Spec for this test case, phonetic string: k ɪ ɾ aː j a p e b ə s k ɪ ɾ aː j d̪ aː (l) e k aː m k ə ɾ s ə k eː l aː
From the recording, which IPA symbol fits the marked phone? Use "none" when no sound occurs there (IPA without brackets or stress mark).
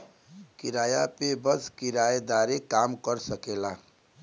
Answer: ɾ